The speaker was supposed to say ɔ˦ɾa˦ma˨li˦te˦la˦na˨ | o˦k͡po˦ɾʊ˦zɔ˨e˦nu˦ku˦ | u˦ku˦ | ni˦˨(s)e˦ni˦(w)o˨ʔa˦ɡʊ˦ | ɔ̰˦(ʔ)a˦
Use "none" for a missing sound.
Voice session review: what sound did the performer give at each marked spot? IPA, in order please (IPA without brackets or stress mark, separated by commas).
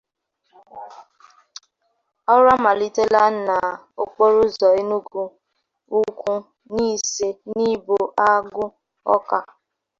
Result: s, b, k